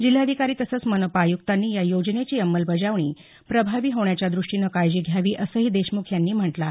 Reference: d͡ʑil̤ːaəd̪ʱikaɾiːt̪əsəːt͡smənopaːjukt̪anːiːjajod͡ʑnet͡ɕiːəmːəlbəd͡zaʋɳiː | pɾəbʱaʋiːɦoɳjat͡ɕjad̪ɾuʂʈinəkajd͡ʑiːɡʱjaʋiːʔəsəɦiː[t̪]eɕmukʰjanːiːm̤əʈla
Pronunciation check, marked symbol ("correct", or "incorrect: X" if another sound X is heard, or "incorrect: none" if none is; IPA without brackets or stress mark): incorrect: d̪